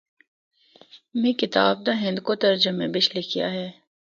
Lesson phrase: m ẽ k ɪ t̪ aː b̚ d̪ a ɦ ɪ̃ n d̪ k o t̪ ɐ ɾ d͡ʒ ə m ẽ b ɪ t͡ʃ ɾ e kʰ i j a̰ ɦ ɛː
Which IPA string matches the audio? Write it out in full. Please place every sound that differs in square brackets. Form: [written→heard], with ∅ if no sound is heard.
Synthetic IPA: m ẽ k ɪ t̪ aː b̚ d̪ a ɦ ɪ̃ n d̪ k o t̪ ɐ ɾ d͡ʒ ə m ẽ b ɪ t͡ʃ [ɾ→l] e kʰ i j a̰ ɦ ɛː